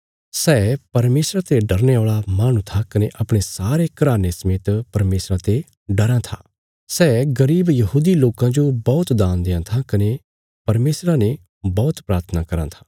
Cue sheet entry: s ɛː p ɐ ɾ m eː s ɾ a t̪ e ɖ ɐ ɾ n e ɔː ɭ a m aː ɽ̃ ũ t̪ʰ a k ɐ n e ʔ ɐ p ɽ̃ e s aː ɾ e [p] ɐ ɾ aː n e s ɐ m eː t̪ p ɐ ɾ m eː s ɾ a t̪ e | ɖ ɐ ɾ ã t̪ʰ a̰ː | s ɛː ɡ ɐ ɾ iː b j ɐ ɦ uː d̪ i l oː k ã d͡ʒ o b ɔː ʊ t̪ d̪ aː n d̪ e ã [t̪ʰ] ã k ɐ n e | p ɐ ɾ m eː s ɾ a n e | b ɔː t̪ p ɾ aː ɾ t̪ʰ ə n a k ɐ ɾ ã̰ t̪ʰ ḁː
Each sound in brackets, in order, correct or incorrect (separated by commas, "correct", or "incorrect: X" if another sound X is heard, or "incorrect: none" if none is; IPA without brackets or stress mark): incorrect: k, correct